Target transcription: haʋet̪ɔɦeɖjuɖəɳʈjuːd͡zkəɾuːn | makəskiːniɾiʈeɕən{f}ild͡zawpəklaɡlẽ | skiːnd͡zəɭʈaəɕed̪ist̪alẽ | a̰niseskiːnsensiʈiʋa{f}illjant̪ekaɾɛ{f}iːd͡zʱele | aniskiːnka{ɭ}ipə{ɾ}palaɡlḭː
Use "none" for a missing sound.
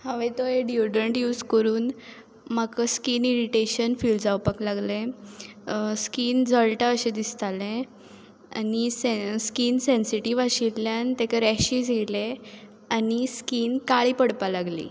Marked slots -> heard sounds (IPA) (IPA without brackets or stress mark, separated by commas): f, ɕ, ɕ, ɭ, ɽ